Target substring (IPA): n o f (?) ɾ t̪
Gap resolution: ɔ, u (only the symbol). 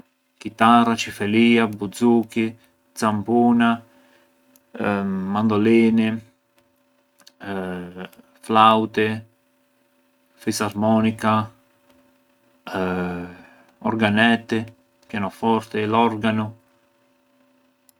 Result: ɔ